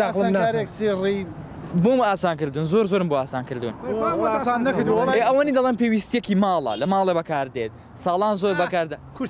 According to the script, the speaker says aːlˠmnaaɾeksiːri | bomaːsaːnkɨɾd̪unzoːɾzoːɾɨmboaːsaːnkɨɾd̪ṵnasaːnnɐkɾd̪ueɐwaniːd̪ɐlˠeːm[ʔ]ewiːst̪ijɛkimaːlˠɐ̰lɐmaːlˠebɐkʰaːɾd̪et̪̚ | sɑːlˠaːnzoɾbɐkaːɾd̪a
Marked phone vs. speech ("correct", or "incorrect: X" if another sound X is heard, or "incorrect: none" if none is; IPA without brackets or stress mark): incorrect: p